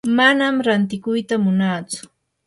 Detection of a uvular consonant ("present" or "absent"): absent